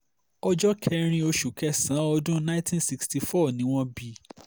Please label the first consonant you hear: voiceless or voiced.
voiced